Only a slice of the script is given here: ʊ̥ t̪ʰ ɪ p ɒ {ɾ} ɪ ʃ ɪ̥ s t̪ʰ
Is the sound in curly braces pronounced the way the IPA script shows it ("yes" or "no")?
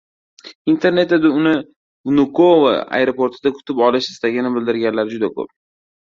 no